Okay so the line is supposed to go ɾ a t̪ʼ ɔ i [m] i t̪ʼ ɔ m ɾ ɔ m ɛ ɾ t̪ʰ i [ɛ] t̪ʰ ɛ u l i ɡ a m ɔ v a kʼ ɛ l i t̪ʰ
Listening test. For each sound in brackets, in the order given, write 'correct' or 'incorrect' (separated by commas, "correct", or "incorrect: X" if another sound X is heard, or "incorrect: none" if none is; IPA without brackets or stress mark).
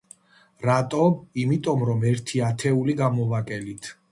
correct, incorrect: a